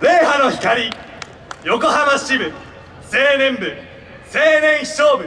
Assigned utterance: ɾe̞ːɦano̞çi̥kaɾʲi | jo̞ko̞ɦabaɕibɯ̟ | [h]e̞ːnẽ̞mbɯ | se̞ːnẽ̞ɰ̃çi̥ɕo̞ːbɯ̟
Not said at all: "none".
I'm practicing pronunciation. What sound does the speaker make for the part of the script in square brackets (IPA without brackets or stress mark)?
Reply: s